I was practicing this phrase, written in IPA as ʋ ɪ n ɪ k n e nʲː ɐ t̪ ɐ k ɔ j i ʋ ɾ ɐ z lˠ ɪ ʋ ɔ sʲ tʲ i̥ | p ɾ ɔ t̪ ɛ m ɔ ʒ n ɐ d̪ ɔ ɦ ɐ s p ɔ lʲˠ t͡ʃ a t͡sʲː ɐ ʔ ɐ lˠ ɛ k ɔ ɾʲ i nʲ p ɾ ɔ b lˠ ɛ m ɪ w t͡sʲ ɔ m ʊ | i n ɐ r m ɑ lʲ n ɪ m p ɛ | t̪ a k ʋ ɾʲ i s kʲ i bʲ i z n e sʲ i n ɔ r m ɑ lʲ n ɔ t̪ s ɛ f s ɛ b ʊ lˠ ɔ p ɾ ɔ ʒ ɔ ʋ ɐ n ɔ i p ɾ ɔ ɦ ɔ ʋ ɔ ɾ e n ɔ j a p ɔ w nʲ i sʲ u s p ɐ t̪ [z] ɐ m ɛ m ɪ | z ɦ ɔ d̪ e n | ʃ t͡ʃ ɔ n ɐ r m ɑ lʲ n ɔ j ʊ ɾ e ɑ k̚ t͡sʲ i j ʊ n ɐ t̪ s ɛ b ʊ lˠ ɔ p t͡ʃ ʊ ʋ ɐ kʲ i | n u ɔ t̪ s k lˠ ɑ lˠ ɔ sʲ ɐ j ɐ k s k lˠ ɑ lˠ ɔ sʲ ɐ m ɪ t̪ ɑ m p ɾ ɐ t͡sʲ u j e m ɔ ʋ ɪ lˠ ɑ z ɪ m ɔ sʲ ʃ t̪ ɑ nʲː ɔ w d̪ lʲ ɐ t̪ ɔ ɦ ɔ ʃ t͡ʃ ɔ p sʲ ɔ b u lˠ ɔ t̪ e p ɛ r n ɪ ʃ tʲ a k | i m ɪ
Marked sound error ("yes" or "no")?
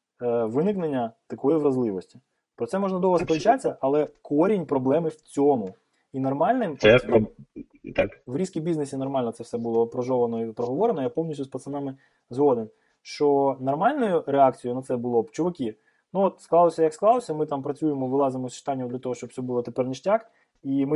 yes